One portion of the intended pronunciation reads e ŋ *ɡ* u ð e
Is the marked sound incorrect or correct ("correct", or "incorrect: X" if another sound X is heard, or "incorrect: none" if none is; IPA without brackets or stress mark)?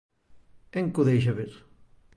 incorrect: k